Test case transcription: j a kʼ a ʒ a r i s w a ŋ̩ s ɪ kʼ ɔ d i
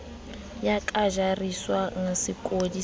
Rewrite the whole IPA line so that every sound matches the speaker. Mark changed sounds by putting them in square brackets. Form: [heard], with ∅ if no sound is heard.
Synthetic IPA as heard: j a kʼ a ʒ a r i s w a ŋ̩ s ɪ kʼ [o] d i